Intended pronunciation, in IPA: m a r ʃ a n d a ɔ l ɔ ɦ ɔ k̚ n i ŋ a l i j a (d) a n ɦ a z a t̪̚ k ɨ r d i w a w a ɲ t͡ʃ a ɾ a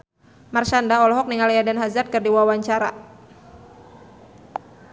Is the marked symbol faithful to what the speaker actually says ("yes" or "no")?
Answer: yes